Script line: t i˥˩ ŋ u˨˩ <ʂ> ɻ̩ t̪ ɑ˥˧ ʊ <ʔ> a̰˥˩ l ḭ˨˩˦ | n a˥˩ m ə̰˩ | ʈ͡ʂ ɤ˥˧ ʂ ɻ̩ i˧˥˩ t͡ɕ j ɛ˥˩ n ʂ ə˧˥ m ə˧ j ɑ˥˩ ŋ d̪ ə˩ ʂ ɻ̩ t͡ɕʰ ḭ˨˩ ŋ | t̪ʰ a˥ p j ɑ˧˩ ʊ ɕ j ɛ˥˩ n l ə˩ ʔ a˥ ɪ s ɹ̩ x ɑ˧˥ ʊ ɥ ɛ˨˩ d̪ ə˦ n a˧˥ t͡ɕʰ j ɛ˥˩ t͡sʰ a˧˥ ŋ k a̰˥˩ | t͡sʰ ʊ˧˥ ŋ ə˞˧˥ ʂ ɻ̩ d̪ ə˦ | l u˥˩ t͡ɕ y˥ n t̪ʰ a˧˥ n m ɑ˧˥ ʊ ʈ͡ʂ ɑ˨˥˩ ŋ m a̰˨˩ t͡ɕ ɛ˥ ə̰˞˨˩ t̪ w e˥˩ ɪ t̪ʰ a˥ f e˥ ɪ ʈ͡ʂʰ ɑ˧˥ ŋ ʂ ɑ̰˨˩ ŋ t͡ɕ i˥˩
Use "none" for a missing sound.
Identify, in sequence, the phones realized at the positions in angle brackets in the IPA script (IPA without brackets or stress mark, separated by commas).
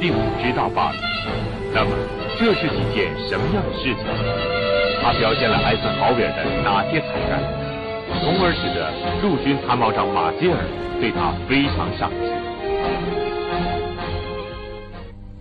ʈ͡ʂ, p